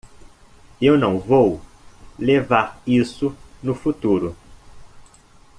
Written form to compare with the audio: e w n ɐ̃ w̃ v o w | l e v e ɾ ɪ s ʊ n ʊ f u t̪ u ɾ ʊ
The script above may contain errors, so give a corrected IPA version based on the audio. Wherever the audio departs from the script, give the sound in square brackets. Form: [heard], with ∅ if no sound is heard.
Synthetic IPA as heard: e w n ɐ̃ w̃ v o w | l e v [a] ɾ [i] s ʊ n ʊ f u t̪ u ɾ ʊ